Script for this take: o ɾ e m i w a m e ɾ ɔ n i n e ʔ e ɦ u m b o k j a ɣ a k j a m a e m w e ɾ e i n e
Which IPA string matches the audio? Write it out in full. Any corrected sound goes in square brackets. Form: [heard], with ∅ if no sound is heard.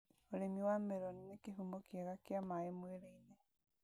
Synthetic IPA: o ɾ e m i w a m e ɾ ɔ n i n e [k] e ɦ u m b o k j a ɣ a k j a m a e m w e ɾ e i n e